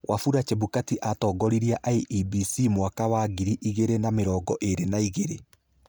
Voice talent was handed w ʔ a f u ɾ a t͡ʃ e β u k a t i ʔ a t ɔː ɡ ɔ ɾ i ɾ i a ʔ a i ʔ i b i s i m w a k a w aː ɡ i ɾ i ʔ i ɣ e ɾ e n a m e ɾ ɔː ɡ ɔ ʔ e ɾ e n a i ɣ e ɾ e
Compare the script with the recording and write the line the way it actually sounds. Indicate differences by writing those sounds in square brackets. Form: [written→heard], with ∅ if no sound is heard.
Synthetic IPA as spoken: w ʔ a f u ɾ a t͡ʃ e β u k a t i ʔ a t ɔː ɡ ɔ ɾ i ɾ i a ʔ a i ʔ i b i s i m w a k a w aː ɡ i ɾ i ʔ i ɣ e ɾ e n a m e ɾ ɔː ɡ ɔ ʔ e ɾ e n a i ɣ e ɾ e